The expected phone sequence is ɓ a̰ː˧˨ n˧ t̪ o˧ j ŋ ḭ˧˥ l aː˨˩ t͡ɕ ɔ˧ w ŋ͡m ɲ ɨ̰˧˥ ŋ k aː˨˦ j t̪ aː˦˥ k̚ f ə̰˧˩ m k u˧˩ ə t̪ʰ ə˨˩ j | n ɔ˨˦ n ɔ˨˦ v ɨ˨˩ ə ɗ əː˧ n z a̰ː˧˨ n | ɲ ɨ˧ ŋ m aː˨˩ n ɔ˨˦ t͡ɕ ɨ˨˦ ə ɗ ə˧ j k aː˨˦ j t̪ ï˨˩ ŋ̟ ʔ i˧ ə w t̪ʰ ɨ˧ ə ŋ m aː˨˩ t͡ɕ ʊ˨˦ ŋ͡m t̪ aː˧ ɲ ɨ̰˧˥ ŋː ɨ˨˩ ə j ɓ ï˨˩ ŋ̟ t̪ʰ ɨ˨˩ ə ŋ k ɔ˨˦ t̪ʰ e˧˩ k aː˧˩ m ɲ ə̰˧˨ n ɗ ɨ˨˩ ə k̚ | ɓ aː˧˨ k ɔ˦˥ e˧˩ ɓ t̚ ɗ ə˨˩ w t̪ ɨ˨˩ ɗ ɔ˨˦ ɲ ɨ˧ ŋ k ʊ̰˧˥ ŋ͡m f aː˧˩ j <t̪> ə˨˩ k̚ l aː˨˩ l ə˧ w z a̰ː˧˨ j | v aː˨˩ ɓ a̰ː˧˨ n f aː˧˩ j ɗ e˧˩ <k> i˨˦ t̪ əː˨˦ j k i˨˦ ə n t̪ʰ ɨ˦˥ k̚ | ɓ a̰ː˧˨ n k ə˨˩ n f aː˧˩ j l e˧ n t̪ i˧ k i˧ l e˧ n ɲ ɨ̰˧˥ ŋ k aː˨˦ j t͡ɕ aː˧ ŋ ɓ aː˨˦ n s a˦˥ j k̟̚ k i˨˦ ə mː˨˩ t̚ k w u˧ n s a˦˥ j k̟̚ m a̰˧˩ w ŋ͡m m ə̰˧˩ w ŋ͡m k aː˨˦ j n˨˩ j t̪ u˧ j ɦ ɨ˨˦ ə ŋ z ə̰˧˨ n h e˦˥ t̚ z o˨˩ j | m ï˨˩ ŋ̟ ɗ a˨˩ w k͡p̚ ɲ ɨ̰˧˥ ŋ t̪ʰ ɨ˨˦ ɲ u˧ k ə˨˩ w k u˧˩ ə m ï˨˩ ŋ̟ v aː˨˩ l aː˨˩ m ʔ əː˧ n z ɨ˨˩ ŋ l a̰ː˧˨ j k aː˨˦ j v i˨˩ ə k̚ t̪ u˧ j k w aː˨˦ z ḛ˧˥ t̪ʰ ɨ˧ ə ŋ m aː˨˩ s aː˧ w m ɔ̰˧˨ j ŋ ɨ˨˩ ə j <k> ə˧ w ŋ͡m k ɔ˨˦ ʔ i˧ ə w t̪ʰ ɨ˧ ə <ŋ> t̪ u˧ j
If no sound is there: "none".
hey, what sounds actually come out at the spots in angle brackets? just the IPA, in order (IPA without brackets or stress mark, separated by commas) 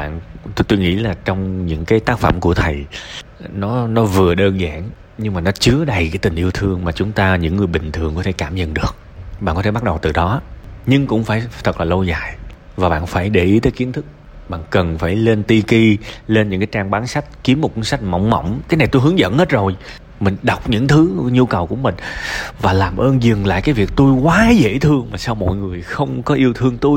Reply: t̪ʰ, ʔ, x, ŋ